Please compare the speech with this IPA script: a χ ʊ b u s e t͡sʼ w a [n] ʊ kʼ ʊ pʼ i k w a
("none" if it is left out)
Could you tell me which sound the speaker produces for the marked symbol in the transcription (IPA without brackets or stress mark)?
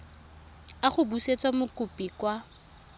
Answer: m